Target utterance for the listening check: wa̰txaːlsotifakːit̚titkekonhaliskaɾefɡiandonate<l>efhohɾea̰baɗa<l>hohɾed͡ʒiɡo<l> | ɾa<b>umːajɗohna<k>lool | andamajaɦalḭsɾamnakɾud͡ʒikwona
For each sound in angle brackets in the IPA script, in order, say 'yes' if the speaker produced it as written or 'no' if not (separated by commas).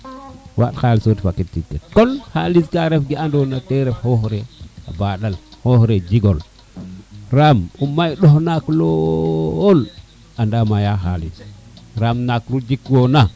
no, yes, yes, no, yes